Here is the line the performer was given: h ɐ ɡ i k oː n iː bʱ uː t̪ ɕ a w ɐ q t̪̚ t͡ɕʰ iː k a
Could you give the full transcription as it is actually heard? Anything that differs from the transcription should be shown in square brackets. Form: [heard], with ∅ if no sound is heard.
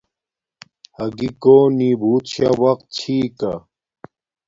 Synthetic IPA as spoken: h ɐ ɡ i k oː n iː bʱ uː t̪ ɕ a w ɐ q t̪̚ t͡ɕʰ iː k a